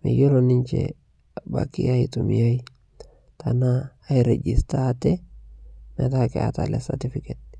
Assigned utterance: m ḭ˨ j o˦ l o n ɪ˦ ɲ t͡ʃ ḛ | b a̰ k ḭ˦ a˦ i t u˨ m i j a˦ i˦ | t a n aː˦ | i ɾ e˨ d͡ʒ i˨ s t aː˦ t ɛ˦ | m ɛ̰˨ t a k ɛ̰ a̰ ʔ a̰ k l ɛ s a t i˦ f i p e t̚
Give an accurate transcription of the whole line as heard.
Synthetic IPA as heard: m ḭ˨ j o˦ l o n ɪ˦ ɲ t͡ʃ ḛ | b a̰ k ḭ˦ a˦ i t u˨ m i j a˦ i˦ | t a n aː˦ | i ɾ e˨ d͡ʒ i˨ s t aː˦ t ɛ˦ | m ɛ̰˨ t a k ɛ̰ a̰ t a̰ l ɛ s a t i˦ f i k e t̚